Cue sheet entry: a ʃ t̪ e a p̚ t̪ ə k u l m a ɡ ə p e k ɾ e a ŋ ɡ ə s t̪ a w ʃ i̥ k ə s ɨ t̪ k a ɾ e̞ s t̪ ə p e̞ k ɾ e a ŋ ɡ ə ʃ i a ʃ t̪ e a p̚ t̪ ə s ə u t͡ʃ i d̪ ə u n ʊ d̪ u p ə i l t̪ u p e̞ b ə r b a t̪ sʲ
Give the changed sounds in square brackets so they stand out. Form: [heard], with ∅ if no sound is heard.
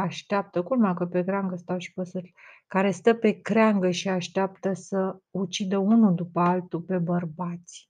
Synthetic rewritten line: a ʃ t̪ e a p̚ t̪ ə k u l m a [k] ə p e k ɾ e a ŋ ɡ ə s t̪ a w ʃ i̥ [p] ə s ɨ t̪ k a ɾ e̞ s t̪ ə p e̞ k ɾ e a ŋ ɡ ə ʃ i a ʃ t̪ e a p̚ t̪ ə s ə u t͡ʃ i d̪ ə u n [u] d̪ u p ə [a] l t̪ u p e̞ b ə r b a t̪ sʲ